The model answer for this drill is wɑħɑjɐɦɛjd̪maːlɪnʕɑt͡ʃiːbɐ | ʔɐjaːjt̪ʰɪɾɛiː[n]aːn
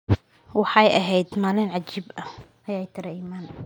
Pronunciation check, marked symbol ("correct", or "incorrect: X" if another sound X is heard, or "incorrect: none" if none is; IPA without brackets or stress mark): incorrect: m